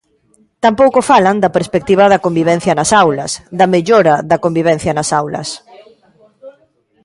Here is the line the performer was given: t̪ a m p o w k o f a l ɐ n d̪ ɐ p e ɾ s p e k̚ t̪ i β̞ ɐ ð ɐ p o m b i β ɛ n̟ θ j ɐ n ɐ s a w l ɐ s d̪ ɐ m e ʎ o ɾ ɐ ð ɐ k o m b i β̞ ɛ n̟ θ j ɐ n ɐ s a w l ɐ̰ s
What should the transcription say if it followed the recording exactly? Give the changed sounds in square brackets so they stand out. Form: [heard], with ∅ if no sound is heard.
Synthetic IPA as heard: t̪ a m p o w k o f a l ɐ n d̪ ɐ p e ɾ s p e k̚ t̪ i β̞ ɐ ð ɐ [k] o m b i β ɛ n̟ θ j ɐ n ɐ s a w l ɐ s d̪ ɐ m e ʎ o ɾ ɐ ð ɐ k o m b i β̞ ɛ n̟ θ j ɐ n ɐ s a w l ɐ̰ s